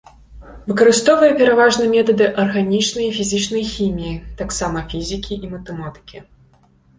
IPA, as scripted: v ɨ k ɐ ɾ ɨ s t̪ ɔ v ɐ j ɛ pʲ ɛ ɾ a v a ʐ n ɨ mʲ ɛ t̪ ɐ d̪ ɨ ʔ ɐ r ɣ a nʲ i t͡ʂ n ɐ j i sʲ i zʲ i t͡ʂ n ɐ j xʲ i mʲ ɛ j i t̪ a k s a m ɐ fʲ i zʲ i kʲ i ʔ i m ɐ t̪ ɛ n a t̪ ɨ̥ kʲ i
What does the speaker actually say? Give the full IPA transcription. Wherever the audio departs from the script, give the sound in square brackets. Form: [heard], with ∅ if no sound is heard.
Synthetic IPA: v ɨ k ɐ ɾ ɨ s t̪ ɔ v ɐ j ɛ pʲ ɛ ɾ a v a ʐ n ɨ mʲ ɛ t̪ ɐ d̪ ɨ ʔ ɐ r ɣ a nʲ i t͡ʂ n ɐ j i [fʲ] i zʲ i t͡ʂ n ɐ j xʲ i mʲ [i] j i t̪ a k s a m ɐ fʲ i zʲ i kʲ i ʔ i m ɐ t̪ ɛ [m] a t̪ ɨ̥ kʲ i